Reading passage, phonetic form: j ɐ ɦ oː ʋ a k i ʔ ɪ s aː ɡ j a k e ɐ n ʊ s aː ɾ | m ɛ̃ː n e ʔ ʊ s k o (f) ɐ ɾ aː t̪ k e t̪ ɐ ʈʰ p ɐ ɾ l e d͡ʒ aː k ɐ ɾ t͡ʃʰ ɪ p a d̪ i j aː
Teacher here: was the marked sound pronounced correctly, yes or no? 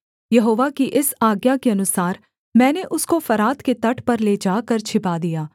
yes